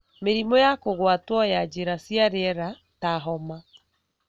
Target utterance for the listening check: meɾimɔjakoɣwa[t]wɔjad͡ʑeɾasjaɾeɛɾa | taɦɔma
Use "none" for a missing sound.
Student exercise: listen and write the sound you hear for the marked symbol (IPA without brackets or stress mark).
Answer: t